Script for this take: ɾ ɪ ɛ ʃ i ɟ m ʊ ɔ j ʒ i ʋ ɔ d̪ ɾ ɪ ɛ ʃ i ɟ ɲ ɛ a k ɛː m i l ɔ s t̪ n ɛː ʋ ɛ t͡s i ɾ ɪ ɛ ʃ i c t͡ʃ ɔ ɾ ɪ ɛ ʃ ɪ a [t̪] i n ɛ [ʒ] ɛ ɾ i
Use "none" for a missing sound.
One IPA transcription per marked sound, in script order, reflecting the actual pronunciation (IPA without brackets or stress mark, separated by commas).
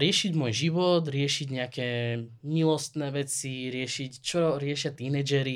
t̪, d͡ʒ